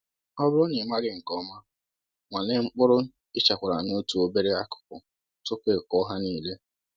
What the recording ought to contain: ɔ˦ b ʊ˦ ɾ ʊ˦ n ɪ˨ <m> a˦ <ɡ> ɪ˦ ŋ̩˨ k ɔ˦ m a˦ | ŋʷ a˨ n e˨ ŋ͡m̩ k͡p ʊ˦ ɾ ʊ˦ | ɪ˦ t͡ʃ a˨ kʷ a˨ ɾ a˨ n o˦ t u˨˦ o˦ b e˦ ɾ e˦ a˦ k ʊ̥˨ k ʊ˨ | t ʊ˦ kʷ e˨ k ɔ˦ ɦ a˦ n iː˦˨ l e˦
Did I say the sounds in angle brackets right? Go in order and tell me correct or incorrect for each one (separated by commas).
correct, correct